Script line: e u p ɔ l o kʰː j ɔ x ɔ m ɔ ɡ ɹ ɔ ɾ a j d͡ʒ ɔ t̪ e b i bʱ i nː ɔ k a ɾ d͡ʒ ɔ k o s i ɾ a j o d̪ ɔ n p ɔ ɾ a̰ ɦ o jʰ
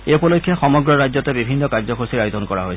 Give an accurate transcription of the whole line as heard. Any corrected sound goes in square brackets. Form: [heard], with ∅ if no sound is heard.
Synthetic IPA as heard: e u p ɔ l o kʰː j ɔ x ɔ m ɔ ɡ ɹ ɔ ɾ a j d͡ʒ ɔ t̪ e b i bʱ i nː ɔ k a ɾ d͡ʒ ɔ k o s i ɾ a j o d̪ ɔ n [k] ɔ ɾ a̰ ɦ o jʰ